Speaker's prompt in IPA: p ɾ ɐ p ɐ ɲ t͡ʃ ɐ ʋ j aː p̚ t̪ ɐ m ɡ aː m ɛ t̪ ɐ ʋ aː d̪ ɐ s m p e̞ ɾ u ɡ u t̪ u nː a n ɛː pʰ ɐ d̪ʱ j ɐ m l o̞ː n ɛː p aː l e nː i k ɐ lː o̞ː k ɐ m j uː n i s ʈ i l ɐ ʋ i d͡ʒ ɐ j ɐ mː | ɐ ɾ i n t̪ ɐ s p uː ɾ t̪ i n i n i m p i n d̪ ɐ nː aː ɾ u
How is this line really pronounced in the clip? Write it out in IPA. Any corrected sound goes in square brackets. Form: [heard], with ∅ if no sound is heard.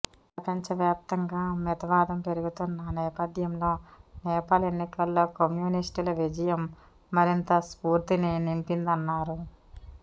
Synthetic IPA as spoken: p ɾ ɐ p ɐ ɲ t͡ʃ ɐ ʋ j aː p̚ t̪ ɐ [ŋ] ɡ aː m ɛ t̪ ɐ ʋ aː d̪ ɐ [∅] m p e̞ ɾ u ɡ u t̪ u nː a n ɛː [p] ɐ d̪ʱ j ɐ m l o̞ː n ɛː p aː l e nː i k ɐ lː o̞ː k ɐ m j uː n i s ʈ i l ɐ ʋ i d͡ʒ ɐ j ɐ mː | ɐ ɾ i n t̪ ɐ s p uː ɾ t̪ i n i n i m p i n d̪ ɐ nː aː ɾ u